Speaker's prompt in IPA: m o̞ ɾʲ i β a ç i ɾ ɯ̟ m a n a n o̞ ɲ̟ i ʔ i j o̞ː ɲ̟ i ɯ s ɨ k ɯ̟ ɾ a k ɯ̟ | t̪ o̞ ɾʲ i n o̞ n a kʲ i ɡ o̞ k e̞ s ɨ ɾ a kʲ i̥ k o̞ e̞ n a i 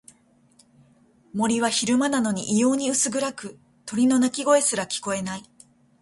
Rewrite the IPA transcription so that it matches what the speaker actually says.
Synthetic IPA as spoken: m o̞ ɾʲ i β a ç i ɾ ɯ̟ m a n a n o̞ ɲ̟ i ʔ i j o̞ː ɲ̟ i ɯ s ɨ ɡ ɯ̟ ɾ a k ɯ̟ | t̪ o̞ ɾʲ i n o̞ n a kʲ i ɡ o̞ e̞ s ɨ ɾ a kʲ i̥ k o̞ e̞ n a i